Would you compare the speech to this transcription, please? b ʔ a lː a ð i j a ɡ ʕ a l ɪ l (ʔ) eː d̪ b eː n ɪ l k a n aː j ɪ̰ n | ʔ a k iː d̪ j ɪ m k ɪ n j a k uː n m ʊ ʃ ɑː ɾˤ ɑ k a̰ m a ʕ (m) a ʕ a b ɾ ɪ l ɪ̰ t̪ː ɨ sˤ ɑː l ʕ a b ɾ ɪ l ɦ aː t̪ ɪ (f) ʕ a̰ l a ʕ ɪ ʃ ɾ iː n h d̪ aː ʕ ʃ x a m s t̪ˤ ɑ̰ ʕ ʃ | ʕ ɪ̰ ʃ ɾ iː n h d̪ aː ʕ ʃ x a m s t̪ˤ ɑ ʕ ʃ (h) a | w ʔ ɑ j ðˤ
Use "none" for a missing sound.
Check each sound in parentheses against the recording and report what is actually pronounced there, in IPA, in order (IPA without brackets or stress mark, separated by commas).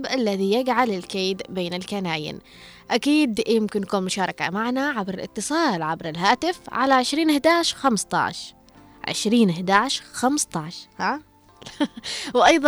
k, n, f, h